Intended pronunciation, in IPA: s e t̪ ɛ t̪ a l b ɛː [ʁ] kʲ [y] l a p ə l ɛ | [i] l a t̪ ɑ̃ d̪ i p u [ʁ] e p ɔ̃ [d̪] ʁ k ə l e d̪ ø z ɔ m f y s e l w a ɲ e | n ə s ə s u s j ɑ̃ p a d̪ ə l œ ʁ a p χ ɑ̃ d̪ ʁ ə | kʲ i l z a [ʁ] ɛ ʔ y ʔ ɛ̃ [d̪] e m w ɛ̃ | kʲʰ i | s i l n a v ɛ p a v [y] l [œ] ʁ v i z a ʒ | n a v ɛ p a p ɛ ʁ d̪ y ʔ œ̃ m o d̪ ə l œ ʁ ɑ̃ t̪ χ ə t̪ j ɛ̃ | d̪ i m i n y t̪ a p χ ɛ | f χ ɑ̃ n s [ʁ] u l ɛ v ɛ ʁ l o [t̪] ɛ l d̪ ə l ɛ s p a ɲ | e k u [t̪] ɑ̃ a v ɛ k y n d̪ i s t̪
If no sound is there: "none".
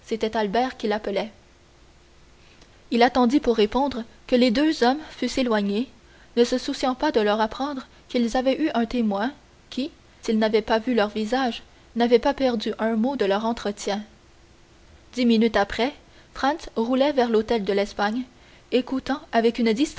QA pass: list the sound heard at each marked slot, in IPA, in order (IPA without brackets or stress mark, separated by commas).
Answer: ʁ, i, i, ʁː, d̪, v, t̪, y, œ, ʁ, t̪, t̪